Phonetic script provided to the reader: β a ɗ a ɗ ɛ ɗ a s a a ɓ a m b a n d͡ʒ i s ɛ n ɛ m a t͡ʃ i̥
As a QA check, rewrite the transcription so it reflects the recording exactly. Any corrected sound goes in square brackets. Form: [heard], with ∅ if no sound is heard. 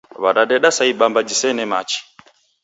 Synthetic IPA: β a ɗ a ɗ ɛ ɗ a s a [i] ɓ a m b a [∅] d͡ʒ i s ɛ n ɛ m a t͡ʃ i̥